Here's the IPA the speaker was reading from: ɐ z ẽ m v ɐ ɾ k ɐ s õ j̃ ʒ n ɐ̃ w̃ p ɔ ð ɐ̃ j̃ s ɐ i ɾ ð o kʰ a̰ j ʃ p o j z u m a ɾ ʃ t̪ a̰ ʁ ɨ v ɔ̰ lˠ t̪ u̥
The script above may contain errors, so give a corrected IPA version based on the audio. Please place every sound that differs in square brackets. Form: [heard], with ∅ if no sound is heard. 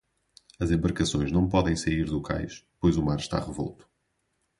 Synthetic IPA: ɐ z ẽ m [b] ɐ ɾ k ɐ s õ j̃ ʒ n ɐ̃ w̃ p ɔ ð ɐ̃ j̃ s ɐ i ɾ ð [u] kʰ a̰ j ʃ p o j z u m a ɾ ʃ t̪ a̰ ʁ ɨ v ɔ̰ lˠ t̪ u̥